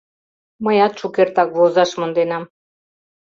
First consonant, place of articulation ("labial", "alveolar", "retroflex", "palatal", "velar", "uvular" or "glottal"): labial